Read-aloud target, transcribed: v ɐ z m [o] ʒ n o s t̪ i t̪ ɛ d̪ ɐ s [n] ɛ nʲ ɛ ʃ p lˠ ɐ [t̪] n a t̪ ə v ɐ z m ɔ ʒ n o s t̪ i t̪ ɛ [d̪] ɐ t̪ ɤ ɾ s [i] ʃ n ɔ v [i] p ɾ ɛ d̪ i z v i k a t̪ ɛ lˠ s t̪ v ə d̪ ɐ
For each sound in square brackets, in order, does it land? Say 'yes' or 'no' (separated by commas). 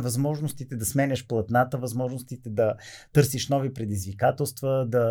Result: no, no, yes, yes, yes, yes